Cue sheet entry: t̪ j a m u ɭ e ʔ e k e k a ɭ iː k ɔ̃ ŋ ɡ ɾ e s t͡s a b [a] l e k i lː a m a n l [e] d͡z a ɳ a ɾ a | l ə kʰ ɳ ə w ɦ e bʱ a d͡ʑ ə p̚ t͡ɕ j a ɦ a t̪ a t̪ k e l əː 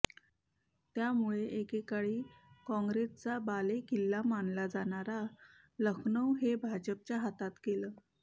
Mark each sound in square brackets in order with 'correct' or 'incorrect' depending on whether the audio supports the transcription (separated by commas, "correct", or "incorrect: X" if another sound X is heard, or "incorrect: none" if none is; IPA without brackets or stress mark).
correct, incorrect: a